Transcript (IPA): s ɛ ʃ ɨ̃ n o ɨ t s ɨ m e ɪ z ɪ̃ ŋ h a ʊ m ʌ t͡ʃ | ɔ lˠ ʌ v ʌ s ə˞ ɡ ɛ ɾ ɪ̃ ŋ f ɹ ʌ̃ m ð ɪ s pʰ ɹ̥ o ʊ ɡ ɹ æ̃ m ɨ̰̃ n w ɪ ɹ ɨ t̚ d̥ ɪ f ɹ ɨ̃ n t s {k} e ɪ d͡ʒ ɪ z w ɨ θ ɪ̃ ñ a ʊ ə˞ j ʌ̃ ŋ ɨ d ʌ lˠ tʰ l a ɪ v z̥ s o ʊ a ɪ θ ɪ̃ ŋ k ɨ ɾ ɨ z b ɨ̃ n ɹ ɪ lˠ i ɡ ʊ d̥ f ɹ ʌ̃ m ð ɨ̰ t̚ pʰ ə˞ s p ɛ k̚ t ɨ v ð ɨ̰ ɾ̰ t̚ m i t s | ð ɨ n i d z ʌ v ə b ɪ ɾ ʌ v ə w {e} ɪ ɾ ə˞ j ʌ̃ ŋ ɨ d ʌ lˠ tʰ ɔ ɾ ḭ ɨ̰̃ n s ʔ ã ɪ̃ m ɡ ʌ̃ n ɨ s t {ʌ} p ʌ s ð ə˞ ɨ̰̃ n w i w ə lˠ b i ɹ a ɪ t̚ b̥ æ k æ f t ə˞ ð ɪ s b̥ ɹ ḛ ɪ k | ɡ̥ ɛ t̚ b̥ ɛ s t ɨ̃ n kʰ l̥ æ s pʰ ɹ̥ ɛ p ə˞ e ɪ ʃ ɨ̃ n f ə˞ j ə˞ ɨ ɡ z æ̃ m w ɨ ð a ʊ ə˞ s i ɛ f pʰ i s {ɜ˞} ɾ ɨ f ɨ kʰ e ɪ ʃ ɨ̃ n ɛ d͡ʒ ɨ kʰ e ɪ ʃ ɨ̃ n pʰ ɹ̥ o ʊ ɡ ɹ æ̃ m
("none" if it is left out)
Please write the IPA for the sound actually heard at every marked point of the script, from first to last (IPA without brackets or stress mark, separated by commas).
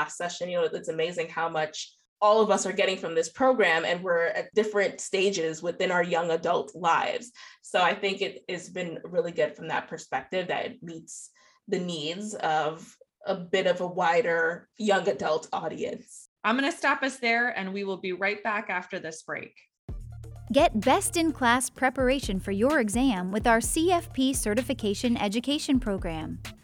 t, a, ɑ, ɜ˞